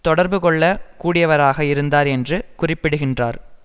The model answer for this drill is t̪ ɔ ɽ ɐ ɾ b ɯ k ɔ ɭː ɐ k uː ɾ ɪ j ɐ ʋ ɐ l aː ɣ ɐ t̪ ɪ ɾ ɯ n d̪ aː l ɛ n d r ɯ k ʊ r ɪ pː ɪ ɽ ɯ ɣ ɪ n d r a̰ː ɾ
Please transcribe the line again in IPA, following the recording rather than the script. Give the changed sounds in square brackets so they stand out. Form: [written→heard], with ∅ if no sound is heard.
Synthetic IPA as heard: t̪ ɔ ɽ ɐ ɾ b ɯ k ɔ ɭː ɐ k uː [ɾ→ɽ] ɪ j ɐ ʋ ɐ [l→ɾ] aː ɣ ɐ [t̪→∅] ɪ ɾ ɯ n d̪ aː [l→ɾ] ɛ n d r ɯ k ʊ r ɪ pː ɪ ɽ ɯ ɣ ɪ n d r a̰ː ɾ